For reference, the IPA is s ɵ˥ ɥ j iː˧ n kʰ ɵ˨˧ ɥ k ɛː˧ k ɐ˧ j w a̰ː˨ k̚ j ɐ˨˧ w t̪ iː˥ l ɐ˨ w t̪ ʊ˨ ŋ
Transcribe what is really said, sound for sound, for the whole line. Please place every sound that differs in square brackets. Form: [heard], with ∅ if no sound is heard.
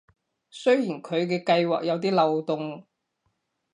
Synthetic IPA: s ɵ˥ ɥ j [iː˨˩] n kʰ ɵ˨˧ ɥ k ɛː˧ k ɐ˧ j w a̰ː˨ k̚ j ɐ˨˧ w t̪ iː˥ l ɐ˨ w t̪ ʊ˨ ŋ